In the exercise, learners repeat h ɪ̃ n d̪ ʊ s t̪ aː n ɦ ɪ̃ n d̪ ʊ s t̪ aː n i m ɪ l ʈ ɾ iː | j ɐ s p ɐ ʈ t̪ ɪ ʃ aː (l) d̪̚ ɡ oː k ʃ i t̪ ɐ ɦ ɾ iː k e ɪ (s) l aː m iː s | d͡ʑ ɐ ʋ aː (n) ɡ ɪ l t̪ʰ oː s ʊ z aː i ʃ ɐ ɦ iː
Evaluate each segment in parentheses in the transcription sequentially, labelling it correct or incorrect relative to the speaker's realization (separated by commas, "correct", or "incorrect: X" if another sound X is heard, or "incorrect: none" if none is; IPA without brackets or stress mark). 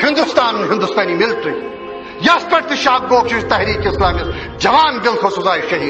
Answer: incorrect: none, correct, correct